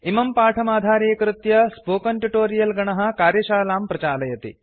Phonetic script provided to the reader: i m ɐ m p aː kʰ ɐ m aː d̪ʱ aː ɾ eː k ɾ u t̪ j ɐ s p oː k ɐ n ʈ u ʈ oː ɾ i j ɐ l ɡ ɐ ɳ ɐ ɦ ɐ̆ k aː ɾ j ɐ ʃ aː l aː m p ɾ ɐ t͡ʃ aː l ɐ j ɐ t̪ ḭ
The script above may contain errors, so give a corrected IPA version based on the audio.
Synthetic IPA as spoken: i m ɐ m p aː ʈʰ ɐ m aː d̪ʱ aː ɾ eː k ɾ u t̪ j ɐ s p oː k ɐ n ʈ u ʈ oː ɾ i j ɐ l ɡ ɐ ɳ ɐ ɦ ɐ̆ k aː ɾ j ɐ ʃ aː l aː m p ɾ ɐ t͡ʃ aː l ɐ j ɐ t̪ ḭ